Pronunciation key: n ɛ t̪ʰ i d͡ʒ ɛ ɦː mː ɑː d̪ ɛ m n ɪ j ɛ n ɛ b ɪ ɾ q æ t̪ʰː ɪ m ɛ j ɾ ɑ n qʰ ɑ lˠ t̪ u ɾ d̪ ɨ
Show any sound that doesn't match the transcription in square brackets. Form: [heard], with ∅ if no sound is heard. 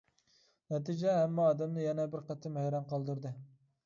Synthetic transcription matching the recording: n ɛ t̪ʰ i d͡ʒ ɛ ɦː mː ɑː d̪ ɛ m n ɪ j ɛ n ɛ b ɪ ɾ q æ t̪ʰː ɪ m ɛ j ɾ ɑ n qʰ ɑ lˠ [d̪] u ɾ d̪ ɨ